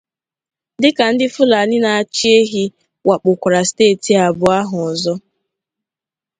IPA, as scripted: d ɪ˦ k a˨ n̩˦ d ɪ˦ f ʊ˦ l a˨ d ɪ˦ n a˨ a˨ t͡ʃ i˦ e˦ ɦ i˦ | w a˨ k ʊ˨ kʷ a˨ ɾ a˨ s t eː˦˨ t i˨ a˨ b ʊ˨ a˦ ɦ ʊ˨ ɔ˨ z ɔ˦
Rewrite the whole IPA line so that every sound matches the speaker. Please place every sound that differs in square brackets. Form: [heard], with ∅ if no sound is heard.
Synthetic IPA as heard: d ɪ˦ k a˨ n̩˦ d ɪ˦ f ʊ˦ l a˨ [n] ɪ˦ n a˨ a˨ t͡ʃ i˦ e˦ ɦ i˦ | w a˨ [k͡p] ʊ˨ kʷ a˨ ɾ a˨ s t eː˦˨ t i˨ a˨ b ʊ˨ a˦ ɦ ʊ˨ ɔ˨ z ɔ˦